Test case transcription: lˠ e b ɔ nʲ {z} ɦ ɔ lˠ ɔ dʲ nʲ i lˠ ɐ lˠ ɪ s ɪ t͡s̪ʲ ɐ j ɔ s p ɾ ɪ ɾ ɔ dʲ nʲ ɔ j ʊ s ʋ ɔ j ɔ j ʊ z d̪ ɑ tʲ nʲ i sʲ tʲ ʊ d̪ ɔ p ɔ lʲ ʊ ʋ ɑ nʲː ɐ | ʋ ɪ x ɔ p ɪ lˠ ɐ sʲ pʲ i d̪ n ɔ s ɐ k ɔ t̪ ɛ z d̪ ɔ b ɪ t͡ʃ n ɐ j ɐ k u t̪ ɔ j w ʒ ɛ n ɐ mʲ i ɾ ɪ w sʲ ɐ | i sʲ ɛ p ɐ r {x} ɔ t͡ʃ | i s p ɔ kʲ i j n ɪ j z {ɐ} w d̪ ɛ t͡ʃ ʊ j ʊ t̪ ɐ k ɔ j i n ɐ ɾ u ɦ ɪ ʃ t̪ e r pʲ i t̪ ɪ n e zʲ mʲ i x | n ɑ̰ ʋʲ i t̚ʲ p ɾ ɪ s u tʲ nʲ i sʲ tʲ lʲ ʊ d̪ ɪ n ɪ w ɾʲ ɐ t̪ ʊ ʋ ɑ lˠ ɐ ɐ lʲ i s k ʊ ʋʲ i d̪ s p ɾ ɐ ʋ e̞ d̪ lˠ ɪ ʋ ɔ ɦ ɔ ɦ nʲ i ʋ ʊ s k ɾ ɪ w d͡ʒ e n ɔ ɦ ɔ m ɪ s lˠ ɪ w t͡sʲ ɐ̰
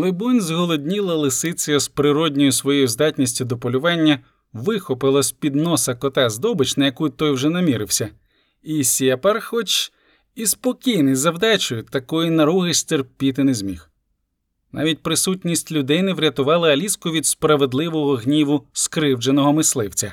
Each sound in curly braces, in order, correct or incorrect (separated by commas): correct, correct, correct